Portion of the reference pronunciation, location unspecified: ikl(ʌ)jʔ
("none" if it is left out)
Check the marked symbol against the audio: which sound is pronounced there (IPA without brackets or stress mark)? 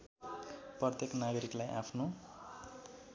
a